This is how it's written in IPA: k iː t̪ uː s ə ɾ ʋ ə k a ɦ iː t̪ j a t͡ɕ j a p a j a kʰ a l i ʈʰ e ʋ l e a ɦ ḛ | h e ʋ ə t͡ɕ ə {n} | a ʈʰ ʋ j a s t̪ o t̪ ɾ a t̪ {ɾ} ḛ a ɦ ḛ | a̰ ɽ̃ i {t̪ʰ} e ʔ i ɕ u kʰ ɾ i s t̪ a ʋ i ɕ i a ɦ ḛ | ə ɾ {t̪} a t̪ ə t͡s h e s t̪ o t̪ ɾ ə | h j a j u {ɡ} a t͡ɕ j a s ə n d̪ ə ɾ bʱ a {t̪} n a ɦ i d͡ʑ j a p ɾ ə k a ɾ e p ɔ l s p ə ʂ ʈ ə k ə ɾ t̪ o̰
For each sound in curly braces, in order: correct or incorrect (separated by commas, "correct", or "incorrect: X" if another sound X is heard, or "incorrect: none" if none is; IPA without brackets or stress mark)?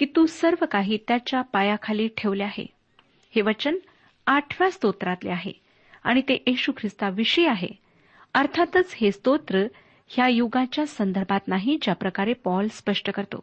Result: correct, incorrect: l, incorrect: t̪, incorrect: t̪ʰ, correct, correct